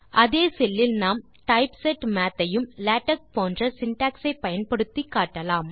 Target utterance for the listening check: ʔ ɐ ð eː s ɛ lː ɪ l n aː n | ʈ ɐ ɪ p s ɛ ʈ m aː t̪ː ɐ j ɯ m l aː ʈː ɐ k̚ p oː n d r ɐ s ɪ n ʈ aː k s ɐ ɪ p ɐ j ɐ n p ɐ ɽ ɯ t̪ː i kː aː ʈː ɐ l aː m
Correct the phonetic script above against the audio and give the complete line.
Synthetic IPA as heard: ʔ ɐ ð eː s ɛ lː ɪ l n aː m | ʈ ɐ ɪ p s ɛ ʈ m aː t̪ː ɐ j ɯ m l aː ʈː ɐ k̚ p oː n d r ɐ s ɪ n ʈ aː k s ɐ ɪ p ɐ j ɐ n p ɐ ɽ ɯ t̪ː i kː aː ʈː ɐ l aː m

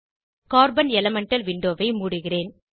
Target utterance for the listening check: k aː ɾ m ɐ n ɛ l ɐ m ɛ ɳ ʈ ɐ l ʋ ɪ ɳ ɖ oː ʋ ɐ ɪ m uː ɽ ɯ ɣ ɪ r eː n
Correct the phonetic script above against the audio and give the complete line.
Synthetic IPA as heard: k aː ɾ b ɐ n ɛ l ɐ m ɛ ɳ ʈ ɐ l ʋ ɪ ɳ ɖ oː ʋ ɐ ɪ m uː ɽ ɯ ɣ ɪ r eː n

